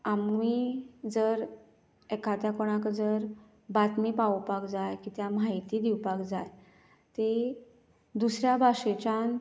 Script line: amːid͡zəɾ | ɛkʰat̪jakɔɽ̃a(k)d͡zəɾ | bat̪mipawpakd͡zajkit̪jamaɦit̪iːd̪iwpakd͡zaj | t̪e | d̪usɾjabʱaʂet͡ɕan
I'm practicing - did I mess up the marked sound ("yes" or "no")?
no